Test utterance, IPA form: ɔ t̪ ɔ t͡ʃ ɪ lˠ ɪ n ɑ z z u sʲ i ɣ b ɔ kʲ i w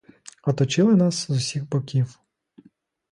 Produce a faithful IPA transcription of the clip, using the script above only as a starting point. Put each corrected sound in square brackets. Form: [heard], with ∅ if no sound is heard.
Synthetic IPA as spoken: ɔ t̪ ɔ t͡ʃ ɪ lˠ ɪ n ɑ [s] z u sʲ i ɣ b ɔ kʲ i w